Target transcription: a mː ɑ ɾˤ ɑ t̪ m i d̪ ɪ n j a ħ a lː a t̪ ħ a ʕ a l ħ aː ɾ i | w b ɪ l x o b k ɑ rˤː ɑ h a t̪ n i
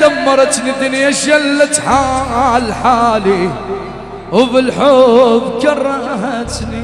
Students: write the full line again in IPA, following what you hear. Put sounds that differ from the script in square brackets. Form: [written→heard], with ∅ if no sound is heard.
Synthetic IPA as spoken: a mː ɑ ɾˤ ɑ t̪ [m→n] i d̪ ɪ n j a [ħ→ʃ] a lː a t̪ ħ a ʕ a l ħ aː [ɾ→l] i | w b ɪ l [x→ħ] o b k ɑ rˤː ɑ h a t̪ n i